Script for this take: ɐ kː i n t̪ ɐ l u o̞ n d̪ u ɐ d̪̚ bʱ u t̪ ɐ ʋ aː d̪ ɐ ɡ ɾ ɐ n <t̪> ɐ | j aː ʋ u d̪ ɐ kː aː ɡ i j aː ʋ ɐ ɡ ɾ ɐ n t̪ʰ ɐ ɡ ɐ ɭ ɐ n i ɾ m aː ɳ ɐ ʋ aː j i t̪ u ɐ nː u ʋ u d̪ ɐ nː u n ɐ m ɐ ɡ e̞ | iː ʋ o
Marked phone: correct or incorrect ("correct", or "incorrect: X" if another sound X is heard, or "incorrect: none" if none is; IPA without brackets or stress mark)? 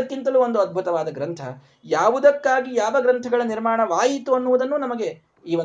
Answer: incorrect: t̪ʰ